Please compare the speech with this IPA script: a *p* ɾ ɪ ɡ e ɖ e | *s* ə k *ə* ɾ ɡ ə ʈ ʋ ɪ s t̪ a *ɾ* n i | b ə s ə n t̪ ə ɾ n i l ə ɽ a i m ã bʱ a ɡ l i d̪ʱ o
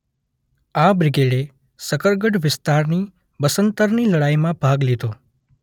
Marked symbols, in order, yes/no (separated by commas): no, yes, yes, yes